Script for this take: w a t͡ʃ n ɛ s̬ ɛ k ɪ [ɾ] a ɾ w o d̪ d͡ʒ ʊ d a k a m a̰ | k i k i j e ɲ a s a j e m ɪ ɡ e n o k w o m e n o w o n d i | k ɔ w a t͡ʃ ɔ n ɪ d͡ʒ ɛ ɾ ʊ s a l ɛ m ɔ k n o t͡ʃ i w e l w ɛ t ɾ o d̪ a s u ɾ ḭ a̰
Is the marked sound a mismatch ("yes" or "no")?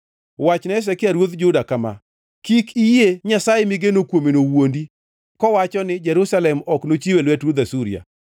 yes